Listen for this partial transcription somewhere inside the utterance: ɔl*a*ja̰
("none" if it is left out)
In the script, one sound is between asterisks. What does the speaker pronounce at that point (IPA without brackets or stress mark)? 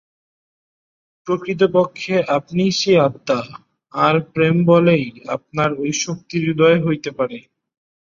e